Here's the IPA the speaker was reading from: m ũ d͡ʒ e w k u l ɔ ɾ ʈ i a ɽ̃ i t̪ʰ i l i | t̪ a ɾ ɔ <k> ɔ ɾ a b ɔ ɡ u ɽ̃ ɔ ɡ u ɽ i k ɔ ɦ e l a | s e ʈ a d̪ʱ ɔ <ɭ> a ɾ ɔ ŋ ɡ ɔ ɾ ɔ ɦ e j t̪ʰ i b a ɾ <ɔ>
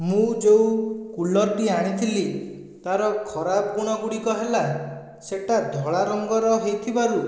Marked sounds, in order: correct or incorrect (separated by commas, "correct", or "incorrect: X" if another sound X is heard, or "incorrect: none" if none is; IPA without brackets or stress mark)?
incorrect: kʰ, correct, incorrect: u